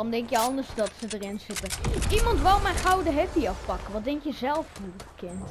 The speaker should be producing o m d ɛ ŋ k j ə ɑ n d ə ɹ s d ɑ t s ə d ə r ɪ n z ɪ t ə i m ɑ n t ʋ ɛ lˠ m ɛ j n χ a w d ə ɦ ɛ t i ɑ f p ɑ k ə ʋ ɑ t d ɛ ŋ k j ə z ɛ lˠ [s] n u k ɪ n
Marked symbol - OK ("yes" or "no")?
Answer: no